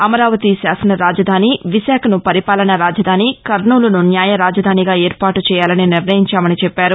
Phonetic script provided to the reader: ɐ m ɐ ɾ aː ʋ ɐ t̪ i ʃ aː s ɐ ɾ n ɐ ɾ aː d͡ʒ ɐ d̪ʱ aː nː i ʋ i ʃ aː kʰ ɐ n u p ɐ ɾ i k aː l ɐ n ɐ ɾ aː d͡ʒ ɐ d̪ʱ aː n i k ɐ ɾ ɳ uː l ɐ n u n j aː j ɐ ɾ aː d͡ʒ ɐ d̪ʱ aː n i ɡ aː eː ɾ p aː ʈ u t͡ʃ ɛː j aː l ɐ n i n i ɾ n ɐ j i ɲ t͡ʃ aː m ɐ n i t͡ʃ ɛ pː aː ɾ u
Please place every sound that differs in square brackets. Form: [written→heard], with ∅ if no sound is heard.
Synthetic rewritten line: ɐ m ɐ ɾ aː ʋ ɐ t̪ i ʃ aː s ɐ [ɾ→∅] n ɐ ɾ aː d͡ʒ ɐ d̪ʱ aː [nː→n] i ʋ i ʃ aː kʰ ɐ n u p ɐ ɾ i [k→p] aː l ɐ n ɐ ɾ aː d͡ʒ ɐ d̪ʱ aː n i k ɐ ɾ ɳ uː l ɐ n u n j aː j ɐ ɾ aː d͡ʒ ɐ d̪ʱ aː n i ɡ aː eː ɾ p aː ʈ u t͡ʃ ɛː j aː l ɐ n i n i ɾ n ɐ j i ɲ t͡ʃ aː m ɐ n i t͡ʃ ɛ pː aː ɾ u